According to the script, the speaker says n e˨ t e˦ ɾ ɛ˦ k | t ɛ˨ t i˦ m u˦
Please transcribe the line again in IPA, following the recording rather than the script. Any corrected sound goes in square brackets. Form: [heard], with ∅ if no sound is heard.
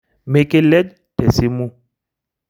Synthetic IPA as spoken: [m] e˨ [k] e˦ [l] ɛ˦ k | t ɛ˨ [s] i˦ m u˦